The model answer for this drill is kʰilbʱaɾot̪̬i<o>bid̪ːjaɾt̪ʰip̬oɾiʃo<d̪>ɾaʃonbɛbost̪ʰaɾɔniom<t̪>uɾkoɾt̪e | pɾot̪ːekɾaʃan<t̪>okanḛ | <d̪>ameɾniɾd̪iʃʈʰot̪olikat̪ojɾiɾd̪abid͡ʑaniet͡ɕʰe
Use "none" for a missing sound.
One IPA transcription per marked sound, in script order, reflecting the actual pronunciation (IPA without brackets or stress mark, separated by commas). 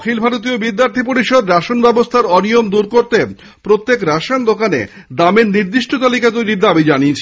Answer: o, d̪, d̪, d̪, d̪